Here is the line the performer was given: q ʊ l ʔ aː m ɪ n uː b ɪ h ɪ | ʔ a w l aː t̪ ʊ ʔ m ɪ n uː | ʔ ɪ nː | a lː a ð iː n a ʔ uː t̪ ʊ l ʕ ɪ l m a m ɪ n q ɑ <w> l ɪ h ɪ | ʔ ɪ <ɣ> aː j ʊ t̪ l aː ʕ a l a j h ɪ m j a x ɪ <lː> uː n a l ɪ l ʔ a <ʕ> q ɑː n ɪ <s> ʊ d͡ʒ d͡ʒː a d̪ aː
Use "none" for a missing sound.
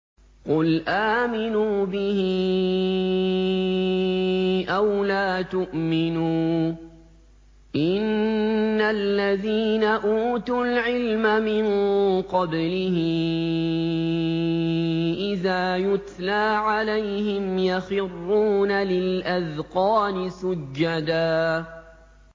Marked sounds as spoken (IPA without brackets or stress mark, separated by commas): b, ð, rː, ð, s